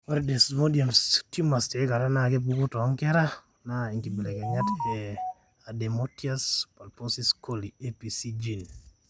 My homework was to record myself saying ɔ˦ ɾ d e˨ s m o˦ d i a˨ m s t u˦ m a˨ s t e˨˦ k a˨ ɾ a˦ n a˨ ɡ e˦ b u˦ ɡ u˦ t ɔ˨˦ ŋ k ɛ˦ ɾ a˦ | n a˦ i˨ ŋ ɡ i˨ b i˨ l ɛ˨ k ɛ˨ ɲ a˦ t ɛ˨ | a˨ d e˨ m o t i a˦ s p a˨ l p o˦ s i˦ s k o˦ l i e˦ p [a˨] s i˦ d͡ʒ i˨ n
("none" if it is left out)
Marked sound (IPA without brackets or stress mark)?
i˨